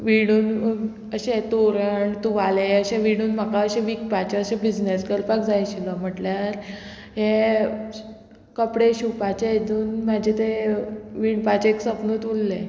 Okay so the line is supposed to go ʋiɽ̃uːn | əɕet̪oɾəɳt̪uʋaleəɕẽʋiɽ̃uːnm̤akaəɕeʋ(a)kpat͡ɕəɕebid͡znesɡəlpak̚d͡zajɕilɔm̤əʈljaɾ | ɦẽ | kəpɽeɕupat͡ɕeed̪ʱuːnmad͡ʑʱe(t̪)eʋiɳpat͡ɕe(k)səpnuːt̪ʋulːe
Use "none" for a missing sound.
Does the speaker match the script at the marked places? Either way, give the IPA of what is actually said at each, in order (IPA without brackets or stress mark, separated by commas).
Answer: i, t̪, k